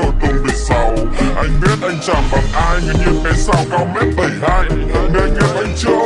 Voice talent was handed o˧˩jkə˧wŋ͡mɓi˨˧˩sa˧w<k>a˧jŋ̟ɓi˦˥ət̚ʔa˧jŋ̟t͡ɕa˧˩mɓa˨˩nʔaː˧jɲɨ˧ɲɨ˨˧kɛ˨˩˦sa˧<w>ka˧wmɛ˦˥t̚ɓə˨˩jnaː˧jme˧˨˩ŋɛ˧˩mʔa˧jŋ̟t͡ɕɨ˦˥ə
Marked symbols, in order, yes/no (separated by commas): no, yes